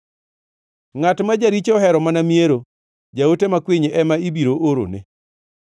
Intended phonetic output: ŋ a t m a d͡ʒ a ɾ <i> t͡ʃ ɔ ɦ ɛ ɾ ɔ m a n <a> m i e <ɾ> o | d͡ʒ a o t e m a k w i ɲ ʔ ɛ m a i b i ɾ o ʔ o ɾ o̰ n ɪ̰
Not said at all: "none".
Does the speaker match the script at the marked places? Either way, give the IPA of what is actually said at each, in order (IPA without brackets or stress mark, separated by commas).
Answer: i, a, ɾ